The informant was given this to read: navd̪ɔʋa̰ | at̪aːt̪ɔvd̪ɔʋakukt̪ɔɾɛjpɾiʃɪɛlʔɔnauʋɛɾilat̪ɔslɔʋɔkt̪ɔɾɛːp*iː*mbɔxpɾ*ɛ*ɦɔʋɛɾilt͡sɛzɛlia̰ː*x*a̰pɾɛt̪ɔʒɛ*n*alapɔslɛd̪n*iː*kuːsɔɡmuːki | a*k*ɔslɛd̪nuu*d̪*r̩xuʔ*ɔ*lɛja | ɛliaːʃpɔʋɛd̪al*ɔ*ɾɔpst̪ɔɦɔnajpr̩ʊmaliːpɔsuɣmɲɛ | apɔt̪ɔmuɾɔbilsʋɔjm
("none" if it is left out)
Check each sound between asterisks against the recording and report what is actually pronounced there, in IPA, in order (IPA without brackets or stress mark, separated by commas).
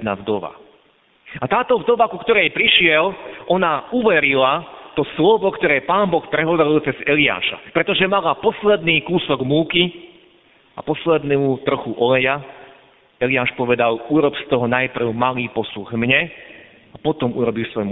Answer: aː, ɛ, ʃ, m, iː, p, t̪, ɔ, u